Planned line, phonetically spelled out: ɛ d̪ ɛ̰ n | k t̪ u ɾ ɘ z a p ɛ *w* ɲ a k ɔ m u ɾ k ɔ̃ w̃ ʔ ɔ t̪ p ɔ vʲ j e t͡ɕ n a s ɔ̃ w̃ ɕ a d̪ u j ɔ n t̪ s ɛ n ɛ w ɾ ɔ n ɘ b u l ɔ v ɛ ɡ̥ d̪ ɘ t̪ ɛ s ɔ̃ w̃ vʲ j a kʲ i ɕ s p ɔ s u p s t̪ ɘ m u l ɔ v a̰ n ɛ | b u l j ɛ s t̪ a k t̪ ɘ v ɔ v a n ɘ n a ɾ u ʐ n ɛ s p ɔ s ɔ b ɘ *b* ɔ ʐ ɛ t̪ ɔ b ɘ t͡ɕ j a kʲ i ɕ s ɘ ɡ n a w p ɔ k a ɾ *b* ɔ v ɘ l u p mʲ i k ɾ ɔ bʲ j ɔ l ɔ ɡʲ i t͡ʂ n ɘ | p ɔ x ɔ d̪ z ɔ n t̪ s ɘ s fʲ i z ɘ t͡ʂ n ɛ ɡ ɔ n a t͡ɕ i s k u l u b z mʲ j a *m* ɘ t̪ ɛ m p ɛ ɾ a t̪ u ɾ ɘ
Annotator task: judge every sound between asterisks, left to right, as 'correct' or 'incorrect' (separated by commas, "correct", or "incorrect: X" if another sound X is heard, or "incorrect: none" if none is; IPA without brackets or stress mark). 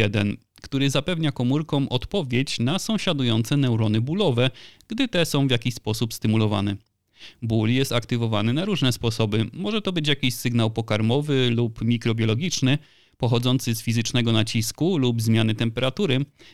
incorrect: v, incorrect: m, incorrect: m, incorrect: n